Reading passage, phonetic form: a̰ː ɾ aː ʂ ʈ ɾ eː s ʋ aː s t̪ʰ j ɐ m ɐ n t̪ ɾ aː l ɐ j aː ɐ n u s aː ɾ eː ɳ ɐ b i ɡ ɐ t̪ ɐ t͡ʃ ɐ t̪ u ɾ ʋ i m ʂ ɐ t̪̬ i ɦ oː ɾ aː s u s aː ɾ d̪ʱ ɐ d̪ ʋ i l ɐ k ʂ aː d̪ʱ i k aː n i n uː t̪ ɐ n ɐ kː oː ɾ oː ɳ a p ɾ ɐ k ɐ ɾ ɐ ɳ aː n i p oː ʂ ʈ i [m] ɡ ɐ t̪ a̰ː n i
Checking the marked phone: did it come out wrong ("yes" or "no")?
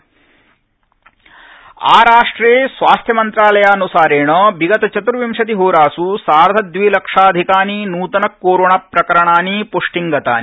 yes